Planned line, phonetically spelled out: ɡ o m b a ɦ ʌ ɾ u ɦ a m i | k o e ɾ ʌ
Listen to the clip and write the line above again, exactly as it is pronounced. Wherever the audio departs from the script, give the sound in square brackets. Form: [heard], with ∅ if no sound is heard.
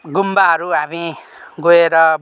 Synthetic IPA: ɡ [u] m b a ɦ ʌ ɾ u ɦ a m i | [ɡ] o e ɾ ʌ